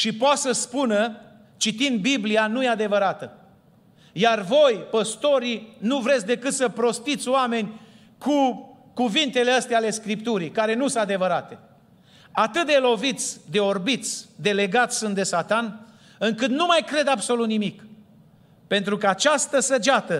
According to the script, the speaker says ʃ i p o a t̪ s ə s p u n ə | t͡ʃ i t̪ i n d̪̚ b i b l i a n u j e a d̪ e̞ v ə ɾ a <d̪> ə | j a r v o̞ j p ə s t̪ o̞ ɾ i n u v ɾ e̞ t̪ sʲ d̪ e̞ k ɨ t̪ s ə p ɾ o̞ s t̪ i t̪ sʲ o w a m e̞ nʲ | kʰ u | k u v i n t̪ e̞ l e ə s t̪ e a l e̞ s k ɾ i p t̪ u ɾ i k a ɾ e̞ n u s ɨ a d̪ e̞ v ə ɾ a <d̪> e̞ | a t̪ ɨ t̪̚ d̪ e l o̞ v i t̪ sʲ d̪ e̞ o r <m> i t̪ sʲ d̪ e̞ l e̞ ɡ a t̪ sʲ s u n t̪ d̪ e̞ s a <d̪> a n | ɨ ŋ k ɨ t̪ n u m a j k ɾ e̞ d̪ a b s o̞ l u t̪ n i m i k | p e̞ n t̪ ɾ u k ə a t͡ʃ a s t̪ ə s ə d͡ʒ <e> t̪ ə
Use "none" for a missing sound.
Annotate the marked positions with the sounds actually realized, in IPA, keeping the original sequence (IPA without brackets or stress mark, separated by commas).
t̪, t̪, b, t̪, a